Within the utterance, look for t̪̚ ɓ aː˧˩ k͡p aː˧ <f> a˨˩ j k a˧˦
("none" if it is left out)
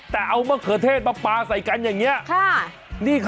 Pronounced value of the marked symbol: s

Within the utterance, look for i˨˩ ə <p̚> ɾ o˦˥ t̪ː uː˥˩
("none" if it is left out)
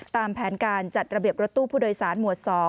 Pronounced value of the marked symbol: p̚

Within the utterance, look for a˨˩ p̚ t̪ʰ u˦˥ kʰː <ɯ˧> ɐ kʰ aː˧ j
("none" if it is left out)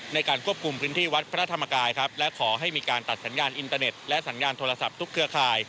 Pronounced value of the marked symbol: ɯ˦˥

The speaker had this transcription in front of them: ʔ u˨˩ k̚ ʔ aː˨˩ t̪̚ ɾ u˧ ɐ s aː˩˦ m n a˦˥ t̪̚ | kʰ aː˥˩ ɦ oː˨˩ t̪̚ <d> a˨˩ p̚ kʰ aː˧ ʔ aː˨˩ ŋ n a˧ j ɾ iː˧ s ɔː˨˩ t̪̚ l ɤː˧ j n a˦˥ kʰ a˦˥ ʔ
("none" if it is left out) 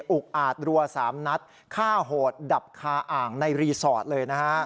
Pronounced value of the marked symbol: d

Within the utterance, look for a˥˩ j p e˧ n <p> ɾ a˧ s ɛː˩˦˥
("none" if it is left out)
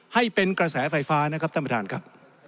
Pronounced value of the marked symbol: k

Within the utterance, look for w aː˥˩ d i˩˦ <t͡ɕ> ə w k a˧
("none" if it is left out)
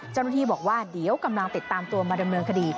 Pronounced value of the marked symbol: none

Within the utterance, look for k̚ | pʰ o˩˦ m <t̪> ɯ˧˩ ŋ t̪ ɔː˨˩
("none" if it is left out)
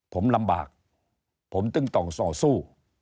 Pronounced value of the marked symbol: t̪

